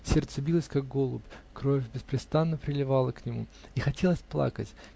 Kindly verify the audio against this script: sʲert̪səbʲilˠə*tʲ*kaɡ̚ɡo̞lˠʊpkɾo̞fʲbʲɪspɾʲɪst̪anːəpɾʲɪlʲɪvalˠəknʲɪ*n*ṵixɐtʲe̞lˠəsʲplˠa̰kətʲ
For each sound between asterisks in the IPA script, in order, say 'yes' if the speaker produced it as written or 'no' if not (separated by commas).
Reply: no, no